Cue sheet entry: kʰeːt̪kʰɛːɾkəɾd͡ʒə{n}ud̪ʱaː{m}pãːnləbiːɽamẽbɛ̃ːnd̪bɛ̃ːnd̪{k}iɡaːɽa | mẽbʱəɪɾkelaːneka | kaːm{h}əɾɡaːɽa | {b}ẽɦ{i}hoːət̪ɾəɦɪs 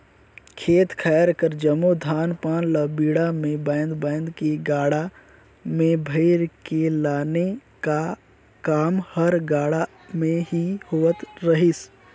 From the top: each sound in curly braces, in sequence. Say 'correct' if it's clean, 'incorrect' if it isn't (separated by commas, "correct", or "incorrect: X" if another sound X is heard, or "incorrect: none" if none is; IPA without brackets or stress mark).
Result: incorrect: m, incorrect: n, correct, correct, incorrect: m, correct